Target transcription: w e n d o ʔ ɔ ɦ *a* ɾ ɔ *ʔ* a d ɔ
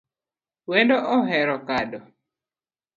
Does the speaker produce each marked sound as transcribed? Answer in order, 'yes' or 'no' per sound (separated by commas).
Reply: no, no